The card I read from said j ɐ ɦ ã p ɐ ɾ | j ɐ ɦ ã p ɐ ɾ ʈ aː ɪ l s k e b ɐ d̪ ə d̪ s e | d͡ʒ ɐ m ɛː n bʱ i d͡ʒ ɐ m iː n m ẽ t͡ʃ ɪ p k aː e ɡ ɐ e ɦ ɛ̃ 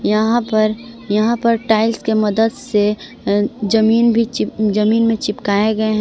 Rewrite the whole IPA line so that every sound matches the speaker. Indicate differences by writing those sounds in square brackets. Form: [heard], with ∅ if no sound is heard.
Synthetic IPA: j ɐ ɦ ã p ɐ ɾ | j ɐ ɦ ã p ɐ ɾ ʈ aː ɪ l s k e [m] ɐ d̪ ə d̪ s e | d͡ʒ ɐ m [iː] n bʱ i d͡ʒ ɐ m iː n m ẽ t͡ʃ ɪ p k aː e ɡ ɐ e ɦ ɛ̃